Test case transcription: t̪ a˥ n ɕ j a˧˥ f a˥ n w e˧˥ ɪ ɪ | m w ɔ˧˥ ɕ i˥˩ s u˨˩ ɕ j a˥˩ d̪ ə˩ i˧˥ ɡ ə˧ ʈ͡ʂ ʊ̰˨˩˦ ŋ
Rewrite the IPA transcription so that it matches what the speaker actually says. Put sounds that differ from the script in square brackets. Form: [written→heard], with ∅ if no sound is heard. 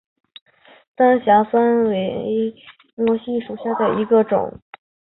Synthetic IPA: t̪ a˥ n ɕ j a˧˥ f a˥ n w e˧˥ ɪ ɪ | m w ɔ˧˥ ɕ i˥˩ [s→ʂ] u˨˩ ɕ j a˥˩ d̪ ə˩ i˧˥ ɡ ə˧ ʈ͡ʂ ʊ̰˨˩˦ ŋ